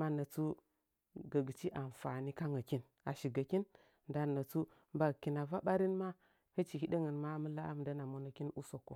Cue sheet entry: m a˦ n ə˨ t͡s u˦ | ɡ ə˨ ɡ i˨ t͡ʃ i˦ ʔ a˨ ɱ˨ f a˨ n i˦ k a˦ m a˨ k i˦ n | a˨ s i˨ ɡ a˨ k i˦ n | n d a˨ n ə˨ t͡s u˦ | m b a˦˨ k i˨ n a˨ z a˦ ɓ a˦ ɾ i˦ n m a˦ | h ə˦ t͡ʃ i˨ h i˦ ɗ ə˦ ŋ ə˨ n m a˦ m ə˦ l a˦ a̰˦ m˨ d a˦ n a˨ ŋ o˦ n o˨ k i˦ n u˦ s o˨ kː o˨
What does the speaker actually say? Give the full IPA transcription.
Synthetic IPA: m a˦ n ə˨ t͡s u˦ | ɡ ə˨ ɡ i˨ t͡ʃ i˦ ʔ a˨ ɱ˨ f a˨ n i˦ k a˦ ŋ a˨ k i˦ n | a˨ ʃ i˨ ɡ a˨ k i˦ n | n d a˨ n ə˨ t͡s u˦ | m b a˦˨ k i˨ n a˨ v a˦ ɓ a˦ ɾ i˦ n m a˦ | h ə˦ t͡ʃ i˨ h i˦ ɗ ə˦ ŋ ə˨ n m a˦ m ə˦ l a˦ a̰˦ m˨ d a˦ n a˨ m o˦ n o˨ k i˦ n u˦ s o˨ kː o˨